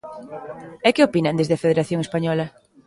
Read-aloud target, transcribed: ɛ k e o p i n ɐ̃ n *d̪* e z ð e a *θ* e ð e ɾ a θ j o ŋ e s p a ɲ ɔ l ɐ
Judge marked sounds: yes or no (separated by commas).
yes, no